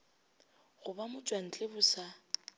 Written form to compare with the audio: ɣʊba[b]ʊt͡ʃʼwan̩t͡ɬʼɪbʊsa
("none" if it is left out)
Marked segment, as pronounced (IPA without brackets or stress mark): m